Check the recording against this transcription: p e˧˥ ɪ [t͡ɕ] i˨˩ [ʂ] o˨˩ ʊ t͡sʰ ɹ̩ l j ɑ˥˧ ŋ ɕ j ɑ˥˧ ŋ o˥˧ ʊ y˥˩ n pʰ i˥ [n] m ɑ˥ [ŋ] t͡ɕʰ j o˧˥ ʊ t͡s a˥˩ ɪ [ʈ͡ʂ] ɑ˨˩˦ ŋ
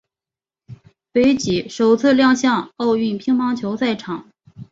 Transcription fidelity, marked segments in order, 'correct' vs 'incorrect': correct, correct, incorrect, correct, incorrect

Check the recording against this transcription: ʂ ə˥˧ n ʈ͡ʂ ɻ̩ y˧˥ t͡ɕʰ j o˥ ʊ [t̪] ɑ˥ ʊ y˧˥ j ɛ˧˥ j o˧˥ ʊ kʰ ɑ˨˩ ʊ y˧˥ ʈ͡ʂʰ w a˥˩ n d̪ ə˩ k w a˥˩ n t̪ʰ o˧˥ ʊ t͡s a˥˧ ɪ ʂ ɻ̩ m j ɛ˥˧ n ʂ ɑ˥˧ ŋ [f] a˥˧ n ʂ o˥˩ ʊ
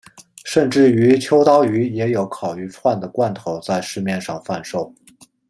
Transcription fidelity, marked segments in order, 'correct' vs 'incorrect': correct, correct

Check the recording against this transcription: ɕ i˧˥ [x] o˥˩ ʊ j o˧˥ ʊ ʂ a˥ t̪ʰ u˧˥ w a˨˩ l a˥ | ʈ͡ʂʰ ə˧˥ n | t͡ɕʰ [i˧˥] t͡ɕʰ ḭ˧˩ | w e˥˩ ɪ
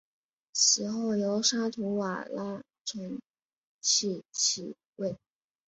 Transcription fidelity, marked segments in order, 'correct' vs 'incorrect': correct, incorrect

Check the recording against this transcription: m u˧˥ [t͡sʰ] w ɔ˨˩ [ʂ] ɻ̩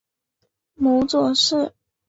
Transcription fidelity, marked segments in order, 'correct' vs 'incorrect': incorrect, correct

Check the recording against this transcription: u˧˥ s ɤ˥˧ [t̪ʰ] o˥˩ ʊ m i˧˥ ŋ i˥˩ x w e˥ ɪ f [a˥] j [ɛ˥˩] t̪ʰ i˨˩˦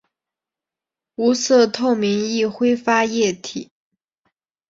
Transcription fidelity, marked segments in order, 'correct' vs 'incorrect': correct, correct, correct

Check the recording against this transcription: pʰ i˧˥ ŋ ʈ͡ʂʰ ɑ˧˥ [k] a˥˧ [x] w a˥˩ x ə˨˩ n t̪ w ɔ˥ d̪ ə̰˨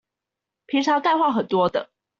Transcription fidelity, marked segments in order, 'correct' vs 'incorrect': correct, correct

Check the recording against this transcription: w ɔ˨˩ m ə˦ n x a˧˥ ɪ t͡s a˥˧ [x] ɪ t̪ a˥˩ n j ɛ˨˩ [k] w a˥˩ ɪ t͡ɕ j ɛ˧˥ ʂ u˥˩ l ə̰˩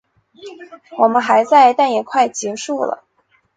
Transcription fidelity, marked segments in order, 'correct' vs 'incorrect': incorrect, incorrect

